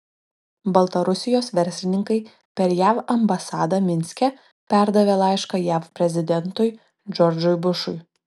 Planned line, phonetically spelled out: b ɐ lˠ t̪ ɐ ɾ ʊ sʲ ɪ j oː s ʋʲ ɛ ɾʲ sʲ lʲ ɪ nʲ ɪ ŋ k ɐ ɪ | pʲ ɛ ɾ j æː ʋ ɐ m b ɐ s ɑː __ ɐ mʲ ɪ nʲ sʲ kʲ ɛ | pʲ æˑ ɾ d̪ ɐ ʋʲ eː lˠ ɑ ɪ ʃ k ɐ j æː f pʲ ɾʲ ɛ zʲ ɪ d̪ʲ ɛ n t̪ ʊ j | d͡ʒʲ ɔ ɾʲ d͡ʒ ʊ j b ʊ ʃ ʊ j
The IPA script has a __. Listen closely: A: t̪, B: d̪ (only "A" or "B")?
B